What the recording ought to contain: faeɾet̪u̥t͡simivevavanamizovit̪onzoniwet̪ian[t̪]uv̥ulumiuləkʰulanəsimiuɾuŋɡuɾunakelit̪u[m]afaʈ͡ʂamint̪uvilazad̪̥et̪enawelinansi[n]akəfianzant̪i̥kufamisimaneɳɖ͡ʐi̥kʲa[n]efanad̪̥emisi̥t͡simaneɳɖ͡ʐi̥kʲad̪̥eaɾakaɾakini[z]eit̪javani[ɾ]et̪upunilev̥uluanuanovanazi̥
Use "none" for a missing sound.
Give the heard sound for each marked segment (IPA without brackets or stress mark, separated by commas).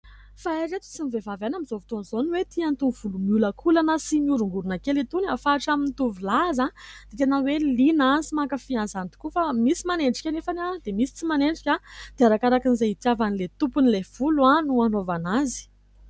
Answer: t̪, n, m, n, z, l